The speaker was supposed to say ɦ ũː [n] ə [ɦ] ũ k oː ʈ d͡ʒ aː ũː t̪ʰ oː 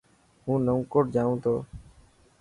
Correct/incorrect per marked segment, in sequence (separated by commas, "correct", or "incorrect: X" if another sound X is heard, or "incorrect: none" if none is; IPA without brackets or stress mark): correct, incorrect: none